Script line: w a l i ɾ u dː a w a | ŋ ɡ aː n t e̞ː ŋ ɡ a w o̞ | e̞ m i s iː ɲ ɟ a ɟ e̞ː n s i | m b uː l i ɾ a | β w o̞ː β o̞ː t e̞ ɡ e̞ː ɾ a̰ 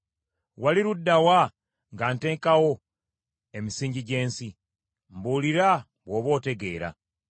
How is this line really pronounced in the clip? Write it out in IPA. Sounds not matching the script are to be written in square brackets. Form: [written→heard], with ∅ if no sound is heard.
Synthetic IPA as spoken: w a l i ɾ u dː a w a | ŋ ɡ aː n t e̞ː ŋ [ɡ→k] a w o̞ | e̞ m i s iː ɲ ɟ [a→i] ɟ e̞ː n s i | m b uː l i ɾ a | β w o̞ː β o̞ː t e̞ ɡ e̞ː ɾ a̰